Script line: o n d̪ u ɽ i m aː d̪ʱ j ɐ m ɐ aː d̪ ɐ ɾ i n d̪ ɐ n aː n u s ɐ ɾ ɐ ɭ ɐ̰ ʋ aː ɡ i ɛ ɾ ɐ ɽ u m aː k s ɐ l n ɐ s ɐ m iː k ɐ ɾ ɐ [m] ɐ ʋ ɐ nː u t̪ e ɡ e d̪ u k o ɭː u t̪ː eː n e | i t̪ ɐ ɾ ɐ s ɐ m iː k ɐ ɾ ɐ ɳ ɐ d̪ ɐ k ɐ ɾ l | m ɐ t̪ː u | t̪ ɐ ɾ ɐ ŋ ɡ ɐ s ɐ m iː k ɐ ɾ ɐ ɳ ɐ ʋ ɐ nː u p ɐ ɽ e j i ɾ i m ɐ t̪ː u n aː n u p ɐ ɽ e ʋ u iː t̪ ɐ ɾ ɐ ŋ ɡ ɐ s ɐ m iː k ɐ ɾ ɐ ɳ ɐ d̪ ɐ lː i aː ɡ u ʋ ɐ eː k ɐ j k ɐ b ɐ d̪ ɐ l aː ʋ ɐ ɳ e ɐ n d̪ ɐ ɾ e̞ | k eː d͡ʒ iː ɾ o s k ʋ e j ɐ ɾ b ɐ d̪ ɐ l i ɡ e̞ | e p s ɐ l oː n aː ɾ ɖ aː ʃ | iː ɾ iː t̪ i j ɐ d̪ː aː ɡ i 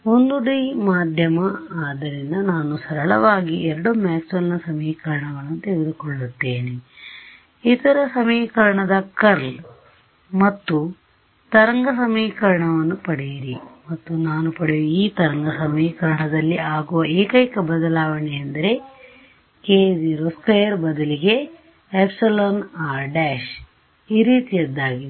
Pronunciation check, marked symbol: incorrect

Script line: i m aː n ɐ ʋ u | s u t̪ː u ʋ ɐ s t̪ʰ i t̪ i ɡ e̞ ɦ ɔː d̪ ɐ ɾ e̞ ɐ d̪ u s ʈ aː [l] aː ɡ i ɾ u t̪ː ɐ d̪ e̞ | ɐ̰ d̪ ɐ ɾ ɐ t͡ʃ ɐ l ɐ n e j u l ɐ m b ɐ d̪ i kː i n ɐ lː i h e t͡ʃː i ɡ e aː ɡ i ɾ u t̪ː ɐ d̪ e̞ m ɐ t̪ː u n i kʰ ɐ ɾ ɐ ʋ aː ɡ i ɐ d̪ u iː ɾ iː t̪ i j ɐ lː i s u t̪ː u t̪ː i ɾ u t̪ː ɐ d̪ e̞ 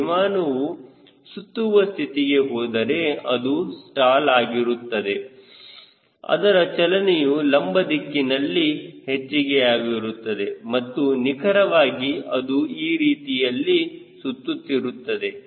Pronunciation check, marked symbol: correct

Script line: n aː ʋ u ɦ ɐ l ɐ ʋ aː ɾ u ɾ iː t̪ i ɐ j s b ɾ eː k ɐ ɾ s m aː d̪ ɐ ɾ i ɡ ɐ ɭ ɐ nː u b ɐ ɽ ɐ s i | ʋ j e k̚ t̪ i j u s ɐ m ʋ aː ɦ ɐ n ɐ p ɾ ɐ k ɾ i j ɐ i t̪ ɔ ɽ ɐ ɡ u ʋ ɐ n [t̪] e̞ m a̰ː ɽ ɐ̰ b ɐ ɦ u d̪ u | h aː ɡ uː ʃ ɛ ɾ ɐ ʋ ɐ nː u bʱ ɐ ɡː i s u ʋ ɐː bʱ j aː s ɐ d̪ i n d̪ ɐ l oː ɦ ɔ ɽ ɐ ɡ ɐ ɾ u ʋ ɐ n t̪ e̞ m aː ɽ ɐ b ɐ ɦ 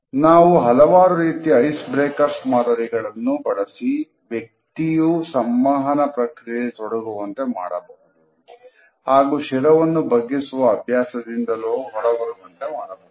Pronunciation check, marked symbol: correct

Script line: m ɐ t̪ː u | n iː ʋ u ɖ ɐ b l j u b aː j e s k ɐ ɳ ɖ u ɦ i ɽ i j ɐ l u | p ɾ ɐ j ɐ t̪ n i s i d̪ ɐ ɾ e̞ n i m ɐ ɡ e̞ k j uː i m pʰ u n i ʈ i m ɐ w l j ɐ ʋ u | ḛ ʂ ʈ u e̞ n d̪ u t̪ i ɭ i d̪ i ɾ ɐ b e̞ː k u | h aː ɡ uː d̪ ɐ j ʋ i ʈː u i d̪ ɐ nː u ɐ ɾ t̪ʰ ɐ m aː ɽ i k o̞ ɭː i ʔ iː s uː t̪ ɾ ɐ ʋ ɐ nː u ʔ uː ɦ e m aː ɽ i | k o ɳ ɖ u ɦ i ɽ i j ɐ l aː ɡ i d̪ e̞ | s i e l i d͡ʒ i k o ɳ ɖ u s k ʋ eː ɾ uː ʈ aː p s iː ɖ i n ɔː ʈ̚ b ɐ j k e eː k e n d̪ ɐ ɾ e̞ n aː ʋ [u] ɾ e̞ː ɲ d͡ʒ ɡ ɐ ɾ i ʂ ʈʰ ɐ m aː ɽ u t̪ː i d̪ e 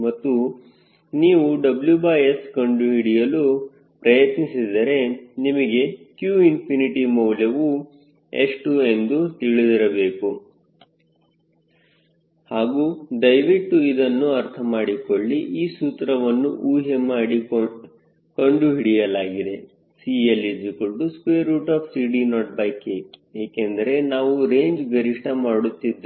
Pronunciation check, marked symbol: correct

